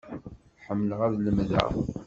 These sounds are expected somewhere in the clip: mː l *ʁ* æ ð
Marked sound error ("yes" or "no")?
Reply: no